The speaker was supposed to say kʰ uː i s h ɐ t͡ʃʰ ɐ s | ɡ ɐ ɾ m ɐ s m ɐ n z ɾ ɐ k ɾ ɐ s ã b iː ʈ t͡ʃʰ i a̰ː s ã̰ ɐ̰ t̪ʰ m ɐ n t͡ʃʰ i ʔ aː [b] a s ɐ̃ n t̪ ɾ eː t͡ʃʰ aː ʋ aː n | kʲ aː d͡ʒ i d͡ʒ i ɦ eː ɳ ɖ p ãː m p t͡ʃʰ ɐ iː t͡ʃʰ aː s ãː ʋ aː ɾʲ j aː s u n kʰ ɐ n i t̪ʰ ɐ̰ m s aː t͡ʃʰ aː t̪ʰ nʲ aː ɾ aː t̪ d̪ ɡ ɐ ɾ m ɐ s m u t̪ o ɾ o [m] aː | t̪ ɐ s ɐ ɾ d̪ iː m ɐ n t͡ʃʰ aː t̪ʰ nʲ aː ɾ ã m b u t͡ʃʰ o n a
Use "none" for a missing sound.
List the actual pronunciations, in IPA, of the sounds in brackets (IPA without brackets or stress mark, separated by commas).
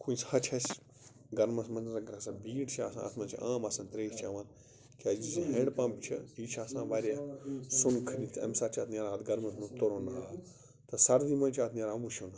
m, n